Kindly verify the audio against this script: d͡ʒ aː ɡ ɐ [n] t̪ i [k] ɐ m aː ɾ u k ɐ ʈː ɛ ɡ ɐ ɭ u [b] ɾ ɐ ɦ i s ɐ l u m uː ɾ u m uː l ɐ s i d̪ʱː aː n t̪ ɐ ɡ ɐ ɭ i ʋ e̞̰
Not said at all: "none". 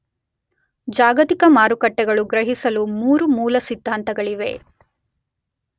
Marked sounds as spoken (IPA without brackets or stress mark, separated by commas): none, k, ɡ